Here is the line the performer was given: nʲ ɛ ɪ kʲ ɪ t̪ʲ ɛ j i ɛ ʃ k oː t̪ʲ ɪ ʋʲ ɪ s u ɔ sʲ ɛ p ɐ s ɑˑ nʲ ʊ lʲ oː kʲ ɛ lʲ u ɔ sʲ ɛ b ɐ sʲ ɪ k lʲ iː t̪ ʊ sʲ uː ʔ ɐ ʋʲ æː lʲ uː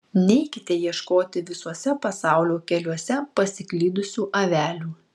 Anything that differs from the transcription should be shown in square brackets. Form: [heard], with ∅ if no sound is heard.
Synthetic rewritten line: nʲ ɛ ɪ kʲ ɪ t̪ʲ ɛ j i ɛ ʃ k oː t̪ʲ ɪ ʋʲ ɪ s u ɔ sʲ ɛ p ɐ s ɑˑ [∅] ʊ lʲ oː kʲ ɛ lʲ u ɔ sʲ ɛ [p] ɐ sʲ ɪ k lʲ iː [d̪] ʊ sʲ uː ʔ ɐ ʋʲ æː lʲ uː